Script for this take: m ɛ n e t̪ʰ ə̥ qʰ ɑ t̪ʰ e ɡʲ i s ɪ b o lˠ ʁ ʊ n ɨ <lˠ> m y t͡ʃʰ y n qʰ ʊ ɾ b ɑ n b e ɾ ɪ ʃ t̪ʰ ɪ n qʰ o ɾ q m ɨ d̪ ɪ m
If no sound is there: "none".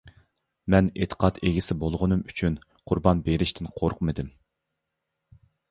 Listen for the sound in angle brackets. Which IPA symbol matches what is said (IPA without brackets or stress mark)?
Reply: none